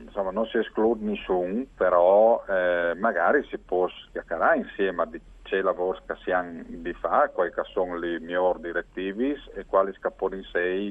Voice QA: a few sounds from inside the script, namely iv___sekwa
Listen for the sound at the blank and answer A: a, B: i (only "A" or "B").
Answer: B